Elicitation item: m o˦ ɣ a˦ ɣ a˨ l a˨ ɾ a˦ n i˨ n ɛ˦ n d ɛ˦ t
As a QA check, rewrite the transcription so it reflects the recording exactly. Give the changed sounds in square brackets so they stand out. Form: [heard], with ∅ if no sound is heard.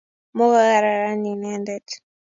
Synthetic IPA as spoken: m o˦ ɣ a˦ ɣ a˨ [ɾ] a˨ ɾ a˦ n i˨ n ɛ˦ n d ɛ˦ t